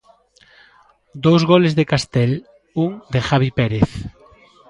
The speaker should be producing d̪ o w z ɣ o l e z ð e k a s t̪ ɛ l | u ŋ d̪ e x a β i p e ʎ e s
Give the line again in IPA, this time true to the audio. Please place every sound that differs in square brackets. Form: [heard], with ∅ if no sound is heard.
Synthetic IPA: d̪ o w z ɣ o l e z ð e k a s t̪ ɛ l | u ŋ d̪ e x a β i p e [ɾ] e [θ]